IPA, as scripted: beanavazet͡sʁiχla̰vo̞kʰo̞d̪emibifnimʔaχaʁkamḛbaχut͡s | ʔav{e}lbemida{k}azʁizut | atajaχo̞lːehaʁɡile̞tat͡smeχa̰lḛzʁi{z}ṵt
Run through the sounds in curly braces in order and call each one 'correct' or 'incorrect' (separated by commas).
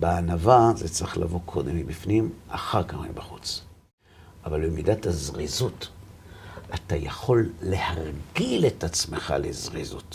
incorrect, incorrect, correct